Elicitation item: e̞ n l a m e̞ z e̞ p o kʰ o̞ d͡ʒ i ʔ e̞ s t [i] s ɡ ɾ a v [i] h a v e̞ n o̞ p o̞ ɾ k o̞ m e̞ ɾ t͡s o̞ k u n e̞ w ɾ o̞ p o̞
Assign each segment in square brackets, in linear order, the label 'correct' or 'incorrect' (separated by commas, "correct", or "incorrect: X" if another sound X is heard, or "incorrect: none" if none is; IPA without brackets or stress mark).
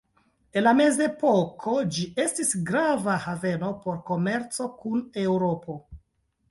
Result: correct, incorrect: a